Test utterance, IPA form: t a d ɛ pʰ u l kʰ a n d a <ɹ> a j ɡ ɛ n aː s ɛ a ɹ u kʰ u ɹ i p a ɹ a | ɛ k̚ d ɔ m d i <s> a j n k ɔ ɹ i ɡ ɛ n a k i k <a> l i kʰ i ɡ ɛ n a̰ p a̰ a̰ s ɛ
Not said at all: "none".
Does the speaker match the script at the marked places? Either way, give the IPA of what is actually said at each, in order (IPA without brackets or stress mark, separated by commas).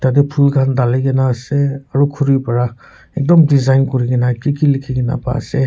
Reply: l, z, i